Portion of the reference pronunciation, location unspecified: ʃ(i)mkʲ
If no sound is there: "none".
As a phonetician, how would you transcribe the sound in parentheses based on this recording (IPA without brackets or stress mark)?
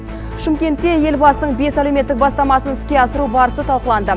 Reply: ɪ